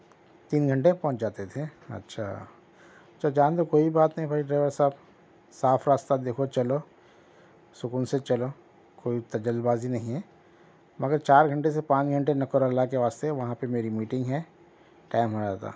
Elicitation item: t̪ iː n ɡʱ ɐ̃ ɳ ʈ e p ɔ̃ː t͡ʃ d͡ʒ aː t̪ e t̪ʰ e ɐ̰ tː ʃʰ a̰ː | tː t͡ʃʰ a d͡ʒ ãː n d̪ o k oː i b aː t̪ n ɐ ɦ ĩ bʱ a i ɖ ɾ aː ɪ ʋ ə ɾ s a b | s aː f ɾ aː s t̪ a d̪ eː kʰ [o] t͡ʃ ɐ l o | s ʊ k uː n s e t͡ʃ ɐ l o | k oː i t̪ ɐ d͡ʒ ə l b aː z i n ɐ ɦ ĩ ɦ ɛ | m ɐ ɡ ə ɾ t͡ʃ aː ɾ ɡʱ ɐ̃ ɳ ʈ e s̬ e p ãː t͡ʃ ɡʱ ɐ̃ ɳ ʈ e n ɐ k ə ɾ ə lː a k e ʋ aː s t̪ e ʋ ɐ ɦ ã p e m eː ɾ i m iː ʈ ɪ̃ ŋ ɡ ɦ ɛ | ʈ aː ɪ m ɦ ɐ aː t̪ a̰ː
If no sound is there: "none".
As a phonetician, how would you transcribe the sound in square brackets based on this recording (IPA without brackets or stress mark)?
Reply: o